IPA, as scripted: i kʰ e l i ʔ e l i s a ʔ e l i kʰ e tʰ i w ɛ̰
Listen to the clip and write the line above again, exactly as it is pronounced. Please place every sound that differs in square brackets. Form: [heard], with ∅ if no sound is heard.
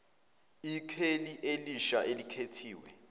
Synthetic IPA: i kʰ e l i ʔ e l i [ʃ] a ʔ e l i kʰ e tʰ [iː] w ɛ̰